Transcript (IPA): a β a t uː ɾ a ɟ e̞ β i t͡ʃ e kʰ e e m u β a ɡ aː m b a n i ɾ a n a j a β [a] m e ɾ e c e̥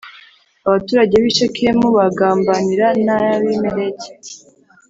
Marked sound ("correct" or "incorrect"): incorrect